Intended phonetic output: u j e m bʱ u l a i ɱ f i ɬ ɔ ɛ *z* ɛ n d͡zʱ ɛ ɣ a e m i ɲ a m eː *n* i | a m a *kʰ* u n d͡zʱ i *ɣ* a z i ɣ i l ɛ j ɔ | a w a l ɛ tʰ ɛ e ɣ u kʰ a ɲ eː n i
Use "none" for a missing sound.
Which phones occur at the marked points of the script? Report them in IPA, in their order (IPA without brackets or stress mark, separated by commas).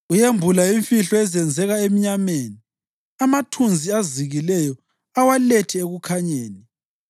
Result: z, n, tʰ, none